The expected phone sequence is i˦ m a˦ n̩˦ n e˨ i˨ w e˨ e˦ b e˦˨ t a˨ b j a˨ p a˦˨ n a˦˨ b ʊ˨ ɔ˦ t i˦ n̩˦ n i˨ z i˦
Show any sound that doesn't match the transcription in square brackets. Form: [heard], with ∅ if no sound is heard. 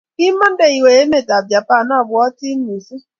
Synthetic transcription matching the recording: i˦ m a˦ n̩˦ [d] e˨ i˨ w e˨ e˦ [m] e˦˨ t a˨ b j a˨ p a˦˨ n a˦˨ b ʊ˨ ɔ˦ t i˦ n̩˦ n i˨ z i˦